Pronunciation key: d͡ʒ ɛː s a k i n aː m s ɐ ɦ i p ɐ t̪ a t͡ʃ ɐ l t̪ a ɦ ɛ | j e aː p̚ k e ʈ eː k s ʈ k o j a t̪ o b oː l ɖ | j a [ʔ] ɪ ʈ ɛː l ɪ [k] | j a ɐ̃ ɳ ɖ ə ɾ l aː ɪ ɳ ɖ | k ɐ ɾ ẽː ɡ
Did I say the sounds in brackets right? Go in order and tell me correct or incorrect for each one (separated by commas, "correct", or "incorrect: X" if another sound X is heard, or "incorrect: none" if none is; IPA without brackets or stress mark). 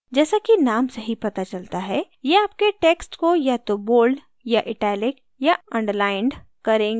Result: correct, correct